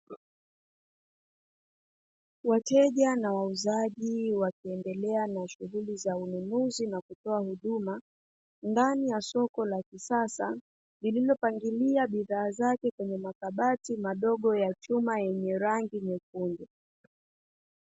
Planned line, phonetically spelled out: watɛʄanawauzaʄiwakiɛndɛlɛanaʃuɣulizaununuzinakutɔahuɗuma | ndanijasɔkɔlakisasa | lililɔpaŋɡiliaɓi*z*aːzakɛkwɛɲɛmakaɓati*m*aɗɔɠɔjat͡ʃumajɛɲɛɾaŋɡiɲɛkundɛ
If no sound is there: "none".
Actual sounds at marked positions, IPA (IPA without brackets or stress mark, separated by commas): ð, m